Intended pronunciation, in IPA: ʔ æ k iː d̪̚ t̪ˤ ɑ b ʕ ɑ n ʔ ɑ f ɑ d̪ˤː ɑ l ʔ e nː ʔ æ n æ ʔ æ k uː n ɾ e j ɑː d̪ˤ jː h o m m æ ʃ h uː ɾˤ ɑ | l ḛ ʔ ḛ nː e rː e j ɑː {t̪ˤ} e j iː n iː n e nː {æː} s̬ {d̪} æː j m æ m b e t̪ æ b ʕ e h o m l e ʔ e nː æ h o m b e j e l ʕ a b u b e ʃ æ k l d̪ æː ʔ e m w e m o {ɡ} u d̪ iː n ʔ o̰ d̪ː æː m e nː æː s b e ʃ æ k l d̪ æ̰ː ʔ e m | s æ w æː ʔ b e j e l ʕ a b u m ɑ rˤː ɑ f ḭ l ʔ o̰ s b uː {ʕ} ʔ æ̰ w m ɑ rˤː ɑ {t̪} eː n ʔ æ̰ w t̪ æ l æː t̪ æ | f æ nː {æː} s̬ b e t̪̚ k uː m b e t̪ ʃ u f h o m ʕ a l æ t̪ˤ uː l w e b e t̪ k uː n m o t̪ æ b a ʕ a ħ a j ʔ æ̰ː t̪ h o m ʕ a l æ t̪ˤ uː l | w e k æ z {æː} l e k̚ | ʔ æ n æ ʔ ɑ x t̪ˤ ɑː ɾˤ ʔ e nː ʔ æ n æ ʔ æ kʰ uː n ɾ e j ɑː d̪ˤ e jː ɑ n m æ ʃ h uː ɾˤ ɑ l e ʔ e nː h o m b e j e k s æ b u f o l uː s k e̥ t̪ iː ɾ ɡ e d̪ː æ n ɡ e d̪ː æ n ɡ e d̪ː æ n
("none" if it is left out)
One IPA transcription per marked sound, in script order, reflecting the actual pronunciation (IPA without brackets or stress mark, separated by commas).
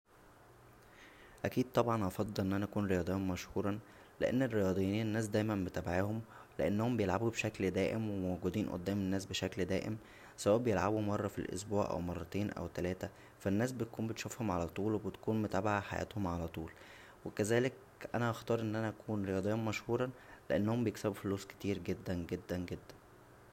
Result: d̪ˤ, æː, d̪, ɡ, ʕ, t̪, æː, æː